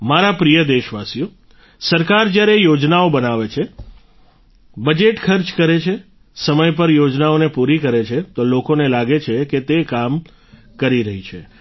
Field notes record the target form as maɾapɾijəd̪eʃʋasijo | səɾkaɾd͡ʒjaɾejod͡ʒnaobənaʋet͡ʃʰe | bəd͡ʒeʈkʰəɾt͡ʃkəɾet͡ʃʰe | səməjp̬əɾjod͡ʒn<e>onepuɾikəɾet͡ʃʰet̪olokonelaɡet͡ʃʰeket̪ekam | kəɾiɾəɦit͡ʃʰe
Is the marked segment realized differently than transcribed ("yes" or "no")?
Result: yes